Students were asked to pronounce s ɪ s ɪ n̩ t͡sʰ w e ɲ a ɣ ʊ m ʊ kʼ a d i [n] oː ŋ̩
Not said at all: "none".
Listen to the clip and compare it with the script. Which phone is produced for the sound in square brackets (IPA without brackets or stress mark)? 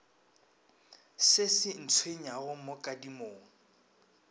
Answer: m